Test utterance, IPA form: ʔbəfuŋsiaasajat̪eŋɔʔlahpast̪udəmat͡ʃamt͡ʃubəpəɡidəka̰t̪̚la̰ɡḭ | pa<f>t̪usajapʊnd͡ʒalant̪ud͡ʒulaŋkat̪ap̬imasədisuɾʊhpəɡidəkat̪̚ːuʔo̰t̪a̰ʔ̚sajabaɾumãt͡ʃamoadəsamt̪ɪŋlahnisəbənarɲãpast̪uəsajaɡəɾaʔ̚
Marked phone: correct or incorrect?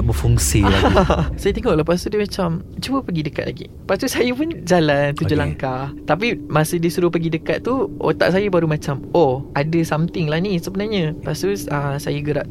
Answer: incorrect